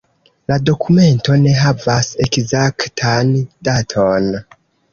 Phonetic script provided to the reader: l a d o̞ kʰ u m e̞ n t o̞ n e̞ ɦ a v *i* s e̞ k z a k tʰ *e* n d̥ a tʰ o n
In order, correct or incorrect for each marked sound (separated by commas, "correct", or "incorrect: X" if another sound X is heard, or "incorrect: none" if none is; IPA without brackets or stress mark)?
incorrect: a, incorrect: a